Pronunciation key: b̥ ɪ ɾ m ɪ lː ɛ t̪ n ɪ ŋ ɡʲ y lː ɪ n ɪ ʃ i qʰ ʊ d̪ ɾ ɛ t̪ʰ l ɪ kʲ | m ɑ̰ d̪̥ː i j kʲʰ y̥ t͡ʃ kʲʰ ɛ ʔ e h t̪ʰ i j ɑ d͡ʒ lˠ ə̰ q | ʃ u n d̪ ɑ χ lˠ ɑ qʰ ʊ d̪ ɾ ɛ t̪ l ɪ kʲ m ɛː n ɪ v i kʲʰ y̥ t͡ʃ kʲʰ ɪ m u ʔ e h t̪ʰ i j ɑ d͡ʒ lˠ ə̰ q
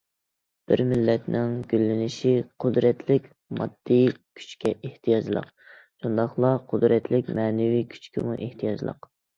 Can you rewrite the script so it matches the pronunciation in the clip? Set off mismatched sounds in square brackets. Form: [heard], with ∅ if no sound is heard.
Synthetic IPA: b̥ ɪ ɾ m ɪ lː ɛ t̪ n ɪ ŋ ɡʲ y lː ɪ n ɪ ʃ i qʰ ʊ d̪ ɾ ɛ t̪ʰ l ɪ kʲ | m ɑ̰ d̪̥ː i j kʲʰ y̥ t͡ʃ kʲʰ ɛ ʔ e h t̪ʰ i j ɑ d͡ʒ lˠ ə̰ q | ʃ u n d̪ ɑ χ lˠ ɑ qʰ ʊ d̪ ɾ ɛ t̪ l ɪ kʲ m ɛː n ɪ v i kʲʰ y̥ t͡ʃ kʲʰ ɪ m u ʔ e h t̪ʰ i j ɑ d͡ʒ lˠ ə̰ q